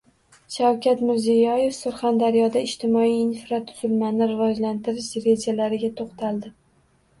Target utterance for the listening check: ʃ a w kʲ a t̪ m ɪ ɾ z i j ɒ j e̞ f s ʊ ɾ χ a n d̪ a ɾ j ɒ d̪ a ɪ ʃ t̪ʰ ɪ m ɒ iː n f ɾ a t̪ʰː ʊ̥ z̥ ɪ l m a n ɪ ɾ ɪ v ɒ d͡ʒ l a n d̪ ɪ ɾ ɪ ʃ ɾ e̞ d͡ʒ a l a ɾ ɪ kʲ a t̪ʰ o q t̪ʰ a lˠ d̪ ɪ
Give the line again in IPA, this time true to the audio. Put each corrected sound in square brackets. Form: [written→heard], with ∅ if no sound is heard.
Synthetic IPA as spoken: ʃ a w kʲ a t̪ m ɪ ɾ z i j ɒ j e̞ f s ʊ ɾ χ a n d̪ a ɾ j ɒ d̪ a ɪ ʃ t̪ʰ ɪ m ɒ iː n f ɾ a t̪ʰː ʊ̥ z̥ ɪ l m a n ɪ ɾ ɪ v ɒ d͡ʒ l a n [d̪→t̪] ɪ ɾ ɪ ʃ ɾ e̞ d͡ʒ a l a ɾ ɪ [kʲ→ɡʲ] a t̪ʰ o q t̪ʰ a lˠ d̪ ɪ

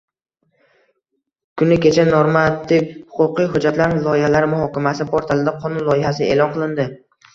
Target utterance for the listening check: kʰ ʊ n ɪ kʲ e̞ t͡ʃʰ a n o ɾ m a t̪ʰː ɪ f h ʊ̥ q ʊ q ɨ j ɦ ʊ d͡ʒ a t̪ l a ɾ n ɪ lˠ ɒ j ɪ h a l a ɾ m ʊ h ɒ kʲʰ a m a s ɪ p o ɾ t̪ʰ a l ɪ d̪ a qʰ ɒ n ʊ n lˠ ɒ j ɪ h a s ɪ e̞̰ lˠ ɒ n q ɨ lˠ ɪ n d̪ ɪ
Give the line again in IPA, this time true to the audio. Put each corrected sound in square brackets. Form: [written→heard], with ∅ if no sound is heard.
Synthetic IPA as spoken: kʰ ʊ n ɪ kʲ e̞ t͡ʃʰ a n o ɾ m a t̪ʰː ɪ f h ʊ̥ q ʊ q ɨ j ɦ ʊ d͡ʒ a t̪ l a ɾ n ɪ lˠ ɒ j ɪ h a l a ɾ m ʊ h ɒ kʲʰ a m a s ɪ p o ɾ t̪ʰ a l ɪ d̪ a qʰ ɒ n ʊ n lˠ ɒ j ɪ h a s ɪ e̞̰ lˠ ɒ n q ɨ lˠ ɪ n d̪ ɪ

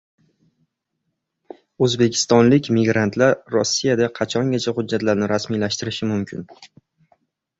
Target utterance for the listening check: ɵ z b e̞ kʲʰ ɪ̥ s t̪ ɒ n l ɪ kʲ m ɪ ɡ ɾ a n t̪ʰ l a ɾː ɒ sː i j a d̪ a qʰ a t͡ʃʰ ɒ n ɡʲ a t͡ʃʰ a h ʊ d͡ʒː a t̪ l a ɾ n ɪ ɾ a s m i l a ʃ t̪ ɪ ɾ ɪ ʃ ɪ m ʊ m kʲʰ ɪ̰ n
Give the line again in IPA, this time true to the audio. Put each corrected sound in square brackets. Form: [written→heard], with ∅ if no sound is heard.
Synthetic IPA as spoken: ɵ z b e̞ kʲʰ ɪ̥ s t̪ ɒ n l ɪ kʲ m ɪ ɡ ɾ a n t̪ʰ l a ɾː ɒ sː i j a d̪ a qʰ [a→ɑ] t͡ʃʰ ɒ [n→ŋ] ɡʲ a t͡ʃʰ a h ʊ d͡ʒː a t̪ l a ɾ n ɪ ɾ a s m i l a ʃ t̪ ɪ ɾ ɪ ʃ ɪ m ʊ m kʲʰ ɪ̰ n

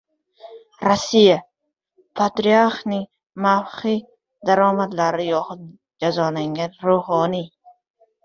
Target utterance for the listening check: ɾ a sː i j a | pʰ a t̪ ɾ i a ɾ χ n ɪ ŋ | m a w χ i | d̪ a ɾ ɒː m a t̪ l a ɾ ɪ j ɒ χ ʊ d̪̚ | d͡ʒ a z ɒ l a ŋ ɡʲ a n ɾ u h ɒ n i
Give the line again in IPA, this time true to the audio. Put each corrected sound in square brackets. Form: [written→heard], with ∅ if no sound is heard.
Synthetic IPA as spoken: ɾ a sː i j a | pʰ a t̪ ɾ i a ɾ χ n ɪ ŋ | m a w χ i | d̪ a ɾ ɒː m a [t̪→d̪] l a ɾ ɪ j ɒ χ ʊ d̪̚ | d͡ʒ a z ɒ l a ŋ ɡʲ a n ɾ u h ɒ n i

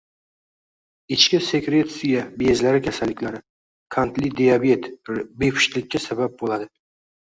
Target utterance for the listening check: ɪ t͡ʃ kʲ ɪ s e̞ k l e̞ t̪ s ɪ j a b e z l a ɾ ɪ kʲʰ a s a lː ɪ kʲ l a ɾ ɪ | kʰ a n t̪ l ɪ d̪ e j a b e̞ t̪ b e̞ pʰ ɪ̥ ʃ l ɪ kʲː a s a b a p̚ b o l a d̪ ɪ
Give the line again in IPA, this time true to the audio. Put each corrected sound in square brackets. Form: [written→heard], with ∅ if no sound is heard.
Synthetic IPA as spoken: ɪ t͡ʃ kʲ ɪ s e̞ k [l→ɾ] e̞ t̪ s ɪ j a b e z l a ɾ ɪ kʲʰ a s a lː ɪ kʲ l a ɾ ɪ | kʰ a n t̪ l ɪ d̪ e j a b e̞ t̪ b e̞ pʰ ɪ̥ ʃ l ɪ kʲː a s a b a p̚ b o l a d̪ ɪ

